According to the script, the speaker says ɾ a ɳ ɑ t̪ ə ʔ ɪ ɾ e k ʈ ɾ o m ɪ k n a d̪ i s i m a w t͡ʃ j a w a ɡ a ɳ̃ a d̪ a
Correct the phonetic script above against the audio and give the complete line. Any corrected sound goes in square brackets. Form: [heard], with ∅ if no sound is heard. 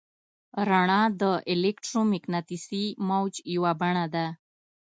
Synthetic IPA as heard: ɾ a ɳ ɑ [d̪] ə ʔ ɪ [l] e k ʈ ɾ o m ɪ k n a [t̪] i s i m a w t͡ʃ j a w a [b] a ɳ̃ a d̪ a